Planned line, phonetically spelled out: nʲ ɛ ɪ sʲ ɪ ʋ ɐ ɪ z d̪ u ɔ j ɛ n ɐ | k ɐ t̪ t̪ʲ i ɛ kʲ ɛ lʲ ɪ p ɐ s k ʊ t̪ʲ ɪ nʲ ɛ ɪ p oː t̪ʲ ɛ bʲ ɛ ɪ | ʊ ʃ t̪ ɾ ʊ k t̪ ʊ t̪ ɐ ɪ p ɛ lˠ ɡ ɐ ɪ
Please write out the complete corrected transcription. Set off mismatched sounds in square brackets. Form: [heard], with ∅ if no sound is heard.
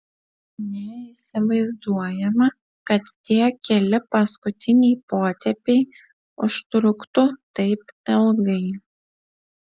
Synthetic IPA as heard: nʲ ɛ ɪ sʲ ɪ ʋ ɐ ɪ z d̪ u ɔ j ɛ [m] ɐ | k ɐ t̪ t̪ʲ i ɛ kʲ ɛ lʲ ɪ p ɐ s k ʊ t̪ʲ ɪ nʲ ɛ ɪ p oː t̪ʲ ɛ [pʲ] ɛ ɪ | ʊ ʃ t̪ ɾ ʊ k t̪ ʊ t̪ ɐ ɪ p ɛ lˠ ɡ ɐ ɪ